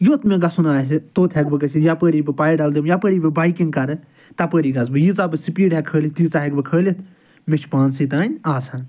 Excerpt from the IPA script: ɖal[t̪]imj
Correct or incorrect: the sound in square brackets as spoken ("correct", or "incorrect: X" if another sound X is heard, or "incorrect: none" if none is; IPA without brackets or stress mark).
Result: incorrect: d̪